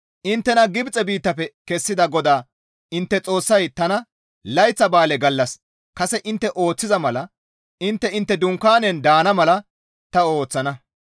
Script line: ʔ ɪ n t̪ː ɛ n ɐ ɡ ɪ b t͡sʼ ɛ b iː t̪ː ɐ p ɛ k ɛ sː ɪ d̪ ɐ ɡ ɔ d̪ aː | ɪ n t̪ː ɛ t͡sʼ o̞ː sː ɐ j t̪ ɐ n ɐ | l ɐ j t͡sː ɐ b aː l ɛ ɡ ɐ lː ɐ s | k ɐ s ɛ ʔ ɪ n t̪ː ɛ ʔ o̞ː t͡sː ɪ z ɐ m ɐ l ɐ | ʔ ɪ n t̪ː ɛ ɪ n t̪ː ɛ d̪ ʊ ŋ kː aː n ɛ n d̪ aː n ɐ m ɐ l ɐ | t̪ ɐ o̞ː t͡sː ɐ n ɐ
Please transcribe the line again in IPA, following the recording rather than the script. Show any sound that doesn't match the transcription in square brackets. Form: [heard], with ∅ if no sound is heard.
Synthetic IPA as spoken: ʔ ɪ n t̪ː ɛ n ɐ ɡ ɪ b t͡sʼ ɛ b iː t̪ː ɐ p ɛ k ɛ sː ɪ d̪ ɐ ɡ ɔ d̪ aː | ɪ n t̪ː ɛ t͡sʼ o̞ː sː ɐ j t̪ ɐ n ɐ | l ɐ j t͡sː ɐ b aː l ɛ ɡ ɐ lː ɐ s | k ɐ s ɛ ʔ ɪ n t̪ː ɛ ʔ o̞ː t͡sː ɪ z ɐ m ɐ l ɐ | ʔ ɪ n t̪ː ɛ ɪ n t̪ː ɛ d̪ ʊ ŋ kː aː n ɛ n d̪ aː n ɐ m ɐ l ɐ | t̪ ɐ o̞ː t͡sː ɐ n ɐ